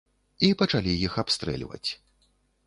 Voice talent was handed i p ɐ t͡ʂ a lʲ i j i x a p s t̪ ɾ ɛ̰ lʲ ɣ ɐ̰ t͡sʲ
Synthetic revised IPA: i p ɐ t͡ʂ a lʲ i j i x a p s t̪ ɾ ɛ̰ lʲ v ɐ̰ t͡sʲ